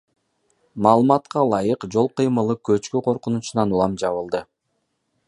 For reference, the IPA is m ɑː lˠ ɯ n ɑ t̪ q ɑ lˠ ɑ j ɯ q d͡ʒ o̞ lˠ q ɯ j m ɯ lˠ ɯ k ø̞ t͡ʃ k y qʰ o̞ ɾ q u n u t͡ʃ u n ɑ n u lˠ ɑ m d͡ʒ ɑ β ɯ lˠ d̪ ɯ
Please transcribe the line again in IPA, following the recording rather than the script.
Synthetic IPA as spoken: m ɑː lˠ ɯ m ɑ t̪ q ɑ lˠ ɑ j ɯ q d͡ʒ o̞ lˠ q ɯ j m ɯ lˠ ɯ k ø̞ t͡ʃ k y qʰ o̞ ɾ q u n u t͡ʃ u n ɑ n u lˠ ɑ m d͡ʒ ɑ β ɯ lˠ d̪ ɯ

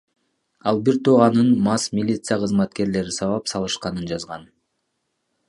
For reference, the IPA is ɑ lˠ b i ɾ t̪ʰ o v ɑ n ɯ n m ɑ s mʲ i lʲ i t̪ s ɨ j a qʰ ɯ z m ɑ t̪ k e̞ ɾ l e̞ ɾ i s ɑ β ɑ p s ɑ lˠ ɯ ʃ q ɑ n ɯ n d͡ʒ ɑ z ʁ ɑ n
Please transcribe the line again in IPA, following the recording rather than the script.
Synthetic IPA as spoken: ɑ lˠ b i ɾ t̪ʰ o ʁ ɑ n ɯ n m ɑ s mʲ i lʲ i t̪ s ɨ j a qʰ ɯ z m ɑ t̪ k e̞ ɾ l e̞ ɾ i s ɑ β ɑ p s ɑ lˠ ɯ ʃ q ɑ n ɯ n d͡ʒ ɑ z ʁ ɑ n

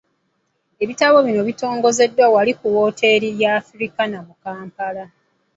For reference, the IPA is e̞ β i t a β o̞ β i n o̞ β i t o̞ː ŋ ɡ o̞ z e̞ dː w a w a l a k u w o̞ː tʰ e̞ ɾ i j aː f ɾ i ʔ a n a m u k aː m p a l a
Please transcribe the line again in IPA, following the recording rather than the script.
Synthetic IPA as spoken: e̞ β i t a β o̞ β i n o̞ β i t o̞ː ŋ ɡ o̞ z e̞ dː w a w a l i k u w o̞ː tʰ e̞ ɾ i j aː f ɾ i k a n a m u k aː m p a l a

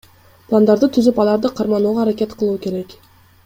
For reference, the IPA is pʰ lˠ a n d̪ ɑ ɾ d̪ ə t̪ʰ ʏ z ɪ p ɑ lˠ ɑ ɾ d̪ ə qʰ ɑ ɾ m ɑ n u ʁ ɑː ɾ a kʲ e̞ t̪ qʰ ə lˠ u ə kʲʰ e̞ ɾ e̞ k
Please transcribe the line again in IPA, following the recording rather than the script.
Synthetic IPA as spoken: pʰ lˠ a n d̪ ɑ ɾ d̪ ə t̪ʰ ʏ z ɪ p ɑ lˠ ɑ ɾ d̪ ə qʰ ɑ ɾ m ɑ n u ʁ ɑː ɾ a kʲ e̞ t̪ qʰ ə lˠ u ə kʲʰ e̞ ɾ e̞ k

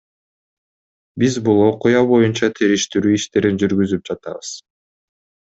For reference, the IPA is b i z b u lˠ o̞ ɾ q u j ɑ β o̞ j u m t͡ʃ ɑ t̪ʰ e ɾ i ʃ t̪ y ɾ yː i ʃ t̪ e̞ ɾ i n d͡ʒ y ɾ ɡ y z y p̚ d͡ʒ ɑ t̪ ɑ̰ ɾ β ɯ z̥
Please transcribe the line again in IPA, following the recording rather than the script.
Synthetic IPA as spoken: b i z b u lˠ o̞ q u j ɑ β o̞ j u n t͡ʃ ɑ t̪ʰ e ɾ i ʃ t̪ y ɾ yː i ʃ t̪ e̞ ɾ i n d͡ʒ y ɾ ɡ y z y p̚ d͡ʒ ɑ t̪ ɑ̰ β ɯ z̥

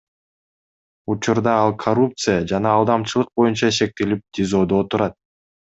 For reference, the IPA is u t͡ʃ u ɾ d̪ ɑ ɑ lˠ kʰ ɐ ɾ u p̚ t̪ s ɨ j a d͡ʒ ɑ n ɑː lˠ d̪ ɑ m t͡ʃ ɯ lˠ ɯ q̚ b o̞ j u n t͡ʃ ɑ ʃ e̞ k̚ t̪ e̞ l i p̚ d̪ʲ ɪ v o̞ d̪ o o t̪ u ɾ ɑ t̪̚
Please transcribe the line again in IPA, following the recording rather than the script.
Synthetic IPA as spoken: u t͡ʃ u ɾ d̪ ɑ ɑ lˠ kʰ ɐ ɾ u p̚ t̪ s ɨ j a d͡ʒ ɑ n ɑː lˠ d̪ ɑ m t͡ʃ ɯ lˠ ɯ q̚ b o̞ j u n t͡ʃ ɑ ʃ e̞ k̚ t̪ e̞ l i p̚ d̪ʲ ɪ z o̞ d̪ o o t̪ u ɾ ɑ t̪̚

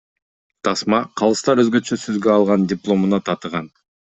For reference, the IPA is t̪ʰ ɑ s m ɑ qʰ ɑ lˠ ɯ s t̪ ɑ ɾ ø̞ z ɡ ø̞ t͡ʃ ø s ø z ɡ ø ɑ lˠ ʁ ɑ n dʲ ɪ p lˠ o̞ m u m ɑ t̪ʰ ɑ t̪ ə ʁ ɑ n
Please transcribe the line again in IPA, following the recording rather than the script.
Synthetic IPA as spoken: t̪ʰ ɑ s m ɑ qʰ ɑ lˠ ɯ s t̪ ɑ ɾ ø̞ z ɡ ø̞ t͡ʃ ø s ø z ɡ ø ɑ lˠ ʁ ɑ n dʲ ɪ p lˠ o̞ m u n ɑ t̪ʰ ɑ t̪ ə ʁ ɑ n

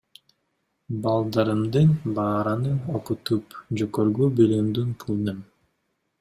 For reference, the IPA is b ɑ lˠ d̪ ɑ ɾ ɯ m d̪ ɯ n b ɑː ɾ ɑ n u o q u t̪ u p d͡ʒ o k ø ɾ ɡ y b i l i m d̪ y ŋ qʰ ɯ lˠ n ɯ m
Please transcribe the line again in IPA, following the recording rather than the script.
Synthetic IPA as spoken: b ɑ lˠ d̪ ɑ ɾ ɯ m d̪ ɯ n b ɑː ɾ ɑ n ɯ o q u t̪ u p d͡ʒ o k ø ɾ ɡ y b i l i m d̪ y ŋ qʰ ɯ lˠ n ɯ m

